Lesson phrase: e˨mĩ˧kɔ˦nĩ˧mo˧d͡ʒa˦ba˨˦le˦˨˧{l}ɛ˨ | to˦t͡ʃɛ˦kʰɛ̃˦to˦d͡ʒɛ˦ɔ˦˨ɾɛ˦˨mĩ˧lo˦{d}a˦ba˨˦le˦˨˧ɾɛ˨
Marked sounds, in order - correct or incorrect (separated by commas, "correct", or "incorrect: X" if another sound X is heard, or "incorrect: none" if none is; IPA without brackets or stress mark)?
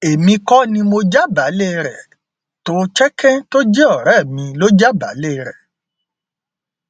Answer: incorrect: ɾ, incorrect: d͡ʒ